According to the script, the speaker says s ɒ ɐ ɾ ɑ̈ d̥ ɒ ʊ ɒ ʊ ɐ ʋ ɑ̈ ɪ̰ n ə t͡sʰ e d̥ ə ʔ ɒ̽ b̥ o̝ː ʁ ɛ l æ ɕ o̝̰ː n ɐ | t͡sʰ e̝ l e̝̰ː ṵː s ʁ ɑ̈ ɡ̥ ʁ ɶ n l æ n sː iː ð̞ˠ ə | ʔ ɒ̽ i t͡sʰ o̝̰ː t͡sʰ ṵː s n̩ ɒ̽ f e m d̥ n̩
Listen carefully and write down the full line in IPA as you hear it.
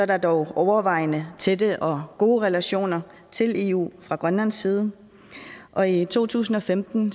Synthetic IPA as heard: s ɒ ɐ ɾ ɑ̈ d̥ ɒ ʊ ɒ ʊ ɐ ʋ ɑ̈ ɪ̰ n ə t͡sʰ e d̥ ə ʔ ɒ̽ ɡ̥ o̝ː ʁ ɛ l æ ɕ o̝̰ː n ɐ | t͡sʰ e̝ l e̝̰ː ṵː f ʁ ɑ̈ ɡ̥ ʁ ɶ n l æ n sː iː ð̞ˠ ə | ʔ ɒ̽ i t͡sʰ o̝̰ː t͡sʰ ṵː s n̩ ɒ̽ f e m d̥ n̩